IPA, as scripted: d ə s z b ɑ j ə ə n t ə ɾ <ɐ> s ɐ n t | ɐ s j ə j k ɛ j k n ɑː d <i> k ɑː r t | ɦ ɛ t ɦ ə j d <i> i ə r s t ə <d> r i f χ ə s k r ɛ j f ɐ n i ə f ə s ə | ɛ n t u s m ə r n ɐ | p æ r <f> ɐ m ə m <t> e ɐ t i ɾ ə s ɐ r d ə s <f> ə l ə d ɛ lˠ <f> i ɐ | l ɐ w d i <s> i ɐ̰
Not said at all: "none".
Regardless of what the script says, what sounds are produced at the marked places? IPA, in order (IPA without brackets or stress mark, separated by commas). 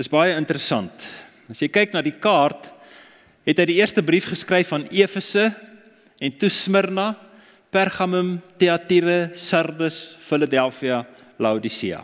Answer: ə, i, i, b, χ, t, f, f, s